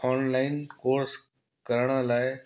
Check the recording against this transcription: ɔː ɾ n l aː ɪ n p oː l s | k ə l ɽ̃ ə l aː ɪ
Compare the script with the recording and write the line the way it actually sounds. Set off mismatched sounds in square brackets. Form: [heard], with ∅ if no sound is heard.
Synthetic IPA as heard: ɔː [∅] n l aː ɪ n [k] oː [ɾ] s | k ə [ɾ] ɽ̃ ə l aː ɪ